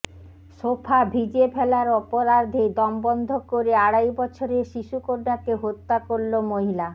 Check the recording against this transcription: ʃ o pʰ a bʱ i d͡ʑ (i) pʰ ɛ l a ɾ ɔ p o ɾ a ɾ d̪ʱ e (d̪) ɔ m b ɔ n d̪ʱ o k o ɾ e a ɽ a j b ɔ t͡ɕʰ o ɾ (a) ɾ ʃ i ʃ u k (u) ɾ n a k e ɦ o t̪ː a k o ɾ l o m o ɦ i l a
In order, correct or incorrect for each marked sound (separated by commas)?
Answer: incorrect, correct, incorrect, incorrect